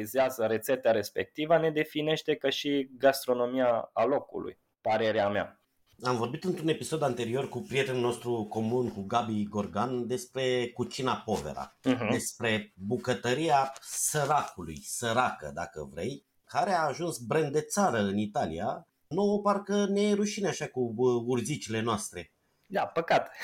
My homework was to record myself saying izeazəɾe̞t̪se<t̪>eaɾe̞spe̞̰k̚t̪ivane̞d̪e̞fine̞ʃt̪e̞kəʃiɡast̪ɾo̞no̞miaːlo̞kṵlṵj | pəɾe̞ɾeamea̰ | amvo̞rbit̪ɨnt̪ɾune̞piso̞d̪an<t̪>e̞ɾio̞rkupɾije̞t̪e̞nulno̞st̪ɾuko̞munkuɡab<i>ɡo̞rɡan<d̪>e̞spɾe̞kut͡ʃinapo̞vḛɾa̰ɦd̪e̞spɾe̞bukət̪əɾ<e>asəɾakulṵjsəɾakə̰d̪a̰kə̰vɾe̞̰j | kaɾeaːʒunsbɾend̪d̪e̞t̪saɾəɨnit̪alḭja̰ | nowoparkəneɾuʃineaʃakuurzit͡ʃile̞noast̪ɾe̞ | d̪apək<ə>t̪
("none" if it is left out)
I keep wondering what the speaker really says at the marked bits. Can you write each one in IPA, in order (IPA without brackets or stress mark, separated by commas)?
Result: t̪, t̪, i, d̪, i, a